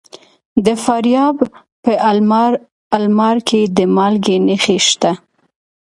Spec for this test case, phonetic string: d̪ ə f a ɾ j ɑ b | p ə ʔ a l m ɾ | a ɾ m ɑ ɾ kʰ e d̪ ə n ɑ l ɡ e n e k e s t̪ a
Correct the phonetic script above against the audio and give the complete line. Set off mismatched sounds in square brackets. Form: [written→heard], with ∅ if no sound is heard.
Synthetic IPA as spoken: d̪ ə f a ɾ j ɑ b | p ə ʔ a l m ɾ | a [ɾ→l] m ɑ ɾ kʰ e d̪ ə [n→m] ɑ l ɡ e n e [k→x] e [s→ʃ] t̪ a